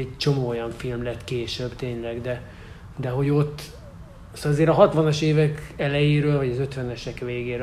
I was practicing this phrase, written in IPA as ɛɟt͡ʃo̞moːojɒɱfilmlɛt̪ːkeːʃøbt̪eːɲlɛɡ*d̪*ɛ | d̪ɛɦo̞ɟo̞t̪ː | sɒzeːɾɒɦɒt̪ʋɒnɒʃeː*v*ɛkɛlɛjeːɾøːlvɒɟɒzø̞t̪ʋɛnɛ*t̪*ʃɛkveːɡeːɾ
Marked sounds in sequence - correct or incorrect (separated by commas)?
correct, correct, incorrect